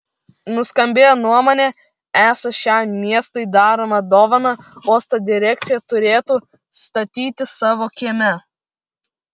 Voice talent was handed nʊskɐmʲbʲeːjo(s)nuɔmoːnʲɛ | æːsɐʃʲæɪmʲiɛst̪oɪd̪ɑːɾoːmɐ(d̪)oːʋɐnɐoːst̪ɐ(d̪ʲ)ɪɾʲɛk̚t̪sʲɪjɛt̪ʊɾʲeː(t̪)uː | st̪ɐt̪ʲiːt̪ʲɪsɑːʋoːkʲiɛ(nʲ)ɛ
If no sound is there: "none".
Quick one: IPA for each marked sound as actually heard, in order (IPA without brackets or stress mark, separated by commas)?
none, d̪, d̪ʲ, t̪, mʲ